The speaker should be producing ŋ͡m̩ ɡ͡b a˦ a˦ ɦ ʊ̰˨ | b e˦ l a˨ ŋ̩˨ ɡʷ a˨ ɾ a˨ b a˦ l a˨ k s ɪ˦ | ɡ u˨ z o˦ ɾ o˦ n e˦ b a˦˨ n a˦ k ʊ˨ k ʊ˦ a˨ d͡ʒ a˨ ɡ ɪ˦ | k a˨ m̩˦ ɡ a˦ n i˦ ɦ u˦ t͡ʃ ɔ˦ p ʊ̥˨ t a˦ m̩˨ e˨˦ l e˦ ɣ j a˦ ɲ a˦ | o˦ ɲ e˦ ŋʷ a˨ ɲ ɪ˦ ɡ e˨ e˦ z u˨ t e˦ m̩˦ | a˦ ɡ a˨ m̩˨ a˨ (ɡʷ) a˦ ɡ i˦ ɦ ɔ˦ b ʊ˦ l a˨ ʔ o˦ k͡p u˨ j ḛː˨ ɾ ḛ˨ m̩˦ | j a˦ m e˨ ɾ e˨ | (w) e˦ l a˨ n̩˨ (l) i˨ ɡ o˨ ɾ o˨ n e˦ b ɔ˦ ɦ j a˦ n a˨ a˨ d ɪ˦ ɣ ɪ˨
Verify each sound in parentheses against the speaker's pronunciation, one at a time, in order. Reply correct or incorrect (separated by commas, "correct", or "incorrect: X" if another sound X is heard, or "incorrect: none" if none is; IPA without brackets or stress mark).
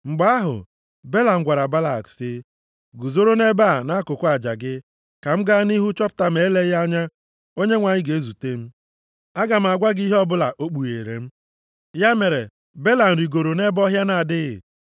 correct, incorrect: b, incorrect: ɾ